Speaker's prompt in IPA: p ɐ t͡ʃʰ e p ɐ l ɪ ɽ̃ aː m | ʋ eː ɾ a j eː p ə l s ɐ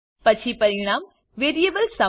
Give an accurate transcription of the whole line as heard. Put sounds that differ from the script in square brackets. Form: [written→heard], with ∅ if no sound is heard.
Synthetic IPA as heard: p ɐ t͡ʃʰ [e→i] p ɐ [l→ɾ] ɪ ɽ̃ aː m | ʋ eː ɾ [a→i] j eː [p→b] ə l s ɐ